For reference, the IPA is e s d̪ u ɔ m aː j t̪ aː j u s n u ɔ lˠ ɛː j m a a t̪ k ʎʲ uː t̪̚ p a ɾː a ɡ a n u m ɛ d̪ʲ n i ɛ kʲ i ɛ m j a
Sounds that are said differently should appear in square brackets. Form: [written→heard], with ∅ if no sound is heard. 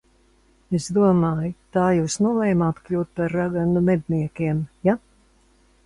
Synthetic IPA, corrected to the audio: e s d̪ u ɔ m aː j t̪ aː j [u→uː] s n u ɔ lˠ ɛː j m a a t̪ k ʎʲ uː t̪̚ p a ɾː a ɡ a n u m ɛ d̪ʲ n i ɛ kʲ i ɛ m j a